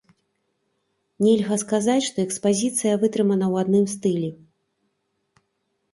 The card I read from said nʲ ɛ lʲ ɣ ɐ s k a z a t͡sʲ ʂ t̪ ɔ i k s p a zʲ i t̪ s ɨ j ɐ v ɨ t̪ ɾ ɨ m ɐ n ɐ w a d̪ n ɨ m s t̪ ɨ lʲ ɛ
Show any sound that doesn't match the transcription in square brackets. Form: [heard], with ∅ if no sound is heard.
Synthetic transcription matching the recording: nʲ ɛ lʲ ɣ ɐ s k a z a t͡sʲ ʂ t̪ ɔ [ɛ] k s p a zʲ i t̪ s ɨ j ɐ v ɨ t̪ ɾ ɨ m ɐ n ɐ w a d̪ n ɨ m s t̪ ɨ lʲ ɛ